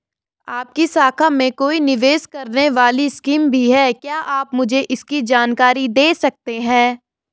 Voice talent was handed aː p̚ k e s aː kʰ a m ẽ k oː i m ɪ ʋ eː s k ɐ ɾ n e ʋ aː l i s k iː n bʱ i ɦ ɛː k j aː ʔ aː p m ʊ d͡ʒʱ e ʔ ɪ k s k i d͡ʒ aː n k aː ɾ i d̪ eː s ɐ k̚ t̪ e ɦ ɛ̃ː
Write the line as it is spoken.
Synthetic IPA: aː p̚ k i s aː kʰ a m ẽ k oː i n ɪ ʋ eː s k ɐ ɾ n e ʋ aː l i s k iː m bʱ i ɦ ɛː k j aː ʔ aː p m ʊ d͡ʒʱ e ʔ ɪ s k i d͡ʒ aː n k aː ɾ i d̪ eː s ɐ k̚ t̪ e ɦ ɛ̃ː

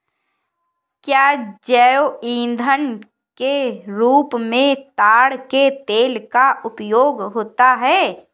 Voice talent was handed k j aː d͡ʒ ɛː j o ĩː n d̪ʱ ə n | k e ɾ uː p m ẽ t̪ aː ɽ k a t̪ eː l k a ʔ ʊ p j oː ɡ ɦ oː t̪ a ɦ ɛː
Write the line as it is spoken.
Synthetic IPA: k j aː d͡ʒ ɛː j o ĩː n d̪ʱ ə n | k e ɾ uː p m ẽ t̪ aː ɽ k e t̪ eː l k a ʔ ʊ p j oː ɡ ɦ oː t̪ a ɦ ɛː

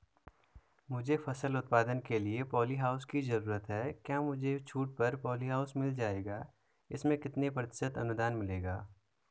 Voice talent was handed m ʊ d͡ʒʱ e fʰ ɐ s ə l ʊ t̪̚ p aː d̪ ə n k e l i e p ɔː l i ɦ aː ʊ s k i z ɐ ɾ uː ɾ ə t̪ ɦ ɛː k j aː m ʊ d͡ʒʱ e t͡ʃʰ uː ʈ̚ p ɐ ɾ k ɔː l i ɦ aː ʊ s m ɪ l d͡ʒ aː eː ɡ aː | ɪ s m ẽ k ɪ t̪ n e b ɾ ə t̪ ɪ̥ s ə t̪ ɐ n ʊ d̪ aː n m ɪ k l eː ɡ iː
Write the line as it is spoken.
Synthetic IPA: m ʊ d͡ʒʱ e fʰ ɐ s ə l ʊ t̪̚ p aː d̪ ə n k e l i e p ɔː l i ɦ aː ʊ s k i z ɐ ɾ uː ɾ ə t̪ ɦ ɛː k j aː m ʊ d͡ʒʱ e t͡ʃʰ uː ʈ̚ p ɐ ɾ p ɔː l i ɦ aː ʊ s m ɪ l d͡ʒ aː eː ɡ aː | ɪ s m ẽ k ɪ t̪ n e p ɾ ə t̪ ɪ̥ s ə t̪ ɐ n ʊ d̪ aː n m ɪ l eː ɡ aː

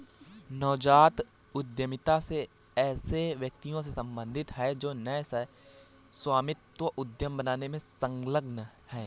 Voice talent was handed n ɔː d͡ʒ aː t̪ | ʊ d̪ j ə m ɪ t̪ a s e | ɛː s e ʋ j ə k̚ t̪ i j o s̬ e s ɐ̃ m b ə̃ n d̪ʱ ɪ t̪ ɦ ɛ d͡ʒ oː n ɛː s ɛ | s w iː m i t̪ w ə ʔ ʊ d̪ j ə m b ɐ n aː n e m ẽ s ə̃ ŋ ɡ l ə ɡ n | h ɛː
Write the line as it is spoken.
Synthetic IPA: n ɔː d͡ʒ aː t̪ | ʊ d̪ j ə m ɪ t̪ a s e | ɛː s e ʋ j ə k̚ t̪ i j õ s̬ e s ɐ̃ m b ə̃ n d̪ʱ ɪ t̪ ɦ ɛ d͡ʒ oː n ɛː s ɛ | s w aː m ɪ t̪ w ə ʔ ʊ d̪ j ə m b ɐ n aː n e m ẽ s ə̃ ŋ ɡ l ə ɡ n | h ɛː

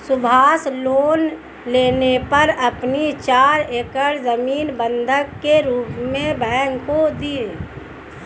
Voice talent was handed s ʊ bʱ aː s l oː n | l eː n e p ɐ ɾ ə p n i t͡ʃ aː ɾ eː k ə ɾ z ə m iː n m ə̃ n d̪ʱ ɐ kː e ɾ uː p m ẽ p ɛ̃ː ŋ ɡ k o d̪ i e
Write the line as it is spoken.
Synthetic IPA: s ʊ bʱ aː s l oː n | l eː n e p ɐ ɾ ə p n i t͡ʃ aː ɾ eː k ə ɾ z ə m iː n b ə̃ n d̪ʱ ə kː e ɾ uː p m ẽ b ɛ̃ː ŋ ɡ k o d̪ i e

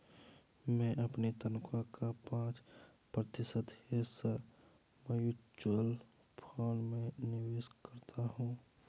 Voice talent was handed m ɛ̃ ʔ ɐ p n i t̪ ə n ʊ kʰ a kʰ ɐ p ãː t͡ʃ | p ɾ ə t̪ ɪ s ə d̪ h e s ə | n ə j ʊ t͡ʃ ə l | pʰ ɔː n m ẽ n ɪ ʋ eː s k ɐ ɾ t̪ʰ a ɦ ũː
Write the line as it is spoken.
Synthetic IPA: m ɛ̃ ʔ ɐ p n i t̪ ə n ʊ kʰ a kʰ a p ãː t͡ʃ | p ɾ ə t̪ ɪ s ə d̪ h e s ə | m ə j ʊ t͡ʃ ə l | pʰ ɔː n m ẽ n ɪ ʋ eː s k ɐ ɾ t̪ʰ a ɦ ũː

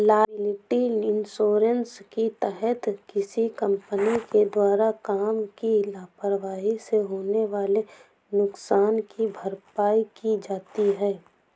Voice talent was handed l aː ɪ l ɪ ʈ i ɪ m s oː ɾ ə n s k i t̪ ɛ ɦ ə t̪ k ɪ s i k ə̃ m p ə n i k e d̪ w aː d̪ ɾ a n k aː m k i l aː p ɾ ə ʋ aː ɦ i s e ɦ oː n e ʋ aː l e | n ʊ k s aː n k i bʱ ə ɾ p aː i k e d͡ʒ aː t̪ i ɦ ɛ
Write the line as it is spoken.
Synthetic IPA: l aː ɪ l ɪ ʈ i ɪ n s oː ɾ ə n s k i t̪ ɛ ɦ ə t̪ k ɪ s i k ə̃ m p ə n i k e d̪ w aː ɾ a k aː m k i l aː p ɾ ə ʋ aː ɦ i s e ɦ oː n e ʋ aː l e | n ʊ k s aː n k i bʱ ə ɾ p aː i k i d͡ʒ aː t̪ i ɦ ɛː

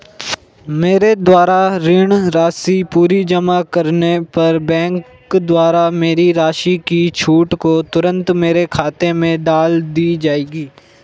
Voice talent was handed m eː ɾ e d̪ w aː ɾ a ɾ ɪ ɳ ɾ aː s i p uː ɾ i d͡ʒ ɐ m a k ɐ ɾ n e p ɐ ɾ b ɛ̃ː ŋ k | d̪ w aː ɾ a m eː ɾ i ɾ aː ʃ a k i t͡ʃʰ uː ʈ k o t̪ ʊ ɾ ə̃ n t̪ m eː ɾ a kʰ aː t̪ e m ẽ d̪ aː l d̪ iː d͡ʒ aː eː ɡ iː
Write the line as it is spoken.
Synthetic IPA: m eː ɾ e d̪ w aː ɾ a ɾ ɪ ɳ ɾ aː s i p uː ɾ i d͡ʒ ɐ m a k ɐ ɾ n e p ɐ ɾ b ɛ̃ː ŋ k | d̪ w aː ɾ a m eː ɾ i ɾ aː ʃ i k i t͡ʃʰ uː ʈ k o t̪ ʊ ɾ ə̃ n t̪ m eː ɾ e kʰ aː t̪ e m ẽ d̪ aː l d̪ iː d͡ʒ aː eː ɡ iː

